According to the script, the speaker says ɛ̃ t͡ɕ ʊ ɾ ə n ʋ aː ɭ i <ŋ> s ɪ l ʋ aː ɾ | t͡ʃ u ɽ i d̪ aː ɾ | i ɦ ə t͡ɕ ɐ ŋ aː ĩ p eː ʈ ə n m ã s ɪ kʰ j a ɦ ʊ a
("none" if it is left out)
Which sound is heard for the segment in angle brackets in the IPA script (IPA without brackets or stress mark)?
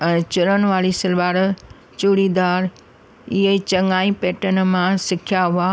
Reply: none